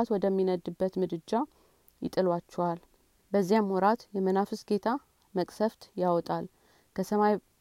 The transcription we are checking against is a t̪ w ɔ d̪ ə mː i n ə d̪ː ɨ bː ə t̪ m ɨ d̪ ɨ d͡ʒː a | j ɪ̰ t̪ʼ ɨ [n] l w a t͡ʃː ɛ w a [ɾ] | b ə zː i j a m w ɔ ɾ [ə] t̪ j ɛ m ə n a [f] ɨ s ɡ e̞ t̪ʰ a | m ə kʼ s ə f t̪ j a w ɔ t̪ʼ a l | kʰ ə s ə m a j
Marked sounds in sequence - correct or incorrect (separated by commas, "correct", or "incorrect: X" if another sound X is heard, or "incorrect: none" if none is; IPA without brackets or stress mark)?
incorrect: none, incorrect: l, incorrect: a, correct